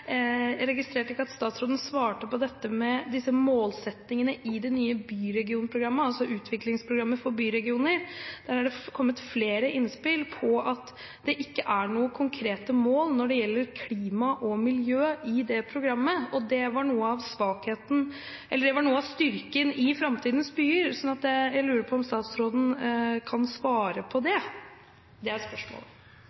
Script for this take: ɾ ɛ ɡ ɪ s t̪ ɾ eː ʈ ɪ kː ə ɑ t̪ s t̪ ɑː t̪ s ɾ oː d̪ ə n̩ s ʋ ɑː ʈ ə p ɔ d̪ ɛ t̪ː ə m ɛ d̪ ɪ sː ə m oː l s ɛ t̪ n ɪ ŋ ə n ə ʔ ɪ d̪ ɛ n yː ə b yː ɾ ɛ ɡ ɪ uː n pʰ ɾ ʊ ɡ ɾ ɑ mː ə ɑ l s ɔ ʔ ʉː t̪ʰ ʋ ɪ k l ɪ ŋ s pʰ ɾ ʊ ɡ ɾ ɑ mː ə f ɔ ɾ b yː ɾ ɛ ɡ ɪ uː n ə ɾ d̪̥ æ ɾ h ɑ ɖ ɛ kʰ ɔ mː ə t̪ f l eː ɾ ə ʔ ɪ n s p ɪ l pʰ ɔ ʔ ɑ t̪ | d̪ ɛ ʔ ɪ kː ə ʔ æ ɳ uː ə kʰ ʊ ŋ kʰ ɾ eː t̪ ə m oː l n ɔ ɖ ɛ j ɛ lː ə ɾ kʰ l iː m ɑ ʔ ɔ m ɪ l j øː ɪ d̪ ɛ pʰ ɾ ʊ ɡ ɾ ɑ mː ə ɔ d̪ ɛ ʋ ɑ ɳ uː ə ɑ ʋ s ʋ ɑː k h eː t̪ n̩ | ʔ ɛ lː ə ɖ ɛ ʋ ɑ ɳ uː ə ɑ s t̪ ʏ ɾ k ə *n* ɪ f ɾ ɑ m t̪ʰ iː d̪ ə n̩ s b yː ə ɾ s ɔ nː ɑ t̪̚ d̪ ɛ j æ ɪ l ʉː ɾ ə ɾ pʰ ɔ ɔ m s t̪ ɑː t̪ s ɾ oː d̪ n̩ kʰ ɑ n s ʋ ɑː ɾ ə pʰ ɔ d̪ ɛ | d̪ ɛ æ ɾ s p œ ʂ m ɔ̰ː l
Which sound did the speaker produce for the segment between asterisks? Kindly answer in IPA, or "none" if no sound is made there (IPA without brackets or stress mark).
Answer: n